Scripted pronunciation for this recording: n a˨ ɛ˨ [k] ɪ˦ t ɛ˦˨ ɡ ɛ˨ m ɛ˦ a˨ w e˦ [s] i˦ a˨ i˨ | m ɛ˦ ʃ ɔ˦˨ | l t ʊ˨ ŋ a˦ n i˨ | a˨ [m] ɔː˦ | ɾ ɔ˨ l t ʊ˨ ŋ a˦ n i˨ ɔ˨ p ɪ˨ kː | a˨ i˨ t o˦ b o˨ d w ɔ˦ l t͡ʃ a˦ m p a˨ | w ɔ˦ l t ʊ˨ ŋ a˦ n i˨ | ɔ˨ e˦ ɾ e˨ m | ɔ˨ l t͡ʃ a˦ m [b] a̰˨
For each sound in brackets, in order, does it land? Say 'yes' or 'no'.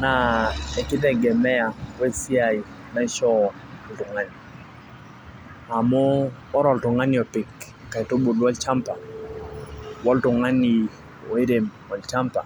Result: yes, yes, yes, no

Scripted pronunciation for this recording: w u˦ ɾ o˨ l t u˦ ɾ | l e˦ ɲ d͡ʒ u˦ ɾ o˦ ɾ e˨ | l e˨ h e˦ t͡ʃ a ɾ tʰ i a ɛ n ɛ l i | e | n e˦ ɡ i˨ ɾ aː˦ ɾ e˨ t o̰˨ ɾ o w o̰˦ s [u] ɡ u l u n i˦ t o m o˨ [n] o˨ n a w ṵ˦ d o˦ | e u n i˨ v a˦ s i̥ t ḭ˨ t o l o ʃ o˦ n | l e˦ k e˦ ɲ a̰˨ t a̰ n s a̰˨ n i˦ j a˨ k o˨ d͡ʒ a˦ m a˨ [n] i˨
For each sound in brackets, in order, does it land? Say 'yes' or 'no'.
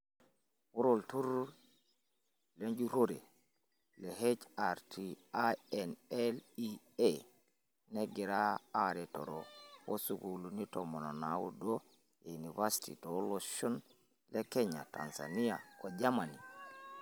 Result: yes, yes, yes

